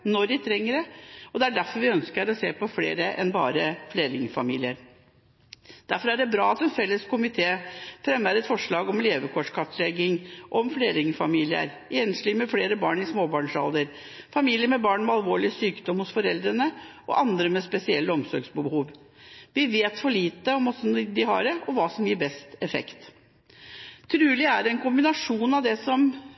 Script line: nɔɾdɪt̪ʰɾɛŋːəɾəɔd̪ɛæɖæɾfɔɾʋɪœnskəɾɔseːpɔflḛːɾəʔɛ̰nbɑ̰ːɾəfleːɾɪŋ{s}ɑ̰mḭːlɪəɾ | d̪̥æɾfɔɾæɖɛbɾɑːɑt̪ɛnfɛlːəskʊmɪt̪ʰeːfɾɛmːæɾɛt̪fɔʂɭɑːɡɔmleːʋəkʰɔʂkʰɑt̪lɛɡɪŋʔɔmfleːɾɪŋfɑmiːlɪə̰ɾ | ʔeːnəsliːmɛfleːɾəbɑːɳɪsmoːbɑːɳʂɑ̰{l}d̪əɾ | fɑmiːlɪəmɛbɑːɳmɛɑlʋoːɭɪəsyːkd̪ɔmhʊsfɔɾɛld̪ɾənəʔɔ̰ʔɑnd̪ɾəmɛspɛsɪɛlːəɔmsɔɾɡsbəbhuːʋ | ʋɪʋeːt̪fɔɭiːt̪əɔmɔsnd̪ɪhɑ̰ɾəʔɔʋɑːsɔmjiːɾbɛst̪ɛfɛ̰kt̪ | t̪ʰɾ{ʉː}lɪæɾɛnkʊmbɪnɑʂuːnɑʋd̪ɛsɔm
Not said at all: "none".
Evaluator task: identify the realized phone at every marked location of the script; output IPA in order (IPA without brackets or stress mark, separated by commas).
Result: f, l, ʉː